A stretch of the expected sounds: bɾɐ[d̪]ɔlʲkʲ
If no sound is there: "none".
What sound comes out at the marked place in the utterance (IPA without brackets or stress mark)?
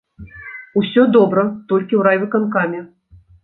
t̪